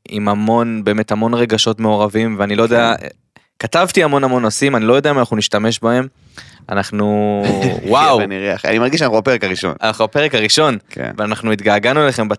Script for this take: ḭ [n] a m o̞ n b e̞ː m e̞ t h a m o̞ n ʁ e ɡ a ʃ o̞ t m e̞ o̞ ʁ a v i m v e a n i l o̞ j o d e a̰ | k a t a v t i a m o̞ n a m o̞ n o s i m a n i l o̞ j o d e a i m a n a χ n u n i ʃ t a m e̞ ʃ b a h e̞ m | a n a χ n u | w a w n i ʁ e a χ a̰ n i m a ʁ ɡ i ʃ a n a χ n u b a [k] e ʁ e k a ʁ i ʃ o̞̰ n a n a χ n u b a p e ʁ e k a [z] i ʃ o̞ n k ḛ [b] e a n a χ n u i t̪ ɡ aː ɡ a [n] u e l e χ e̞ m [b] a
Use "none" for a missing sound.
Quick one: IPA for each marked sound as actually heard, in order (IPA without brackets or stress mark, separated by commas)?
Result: m, p, ʁ, v, n, b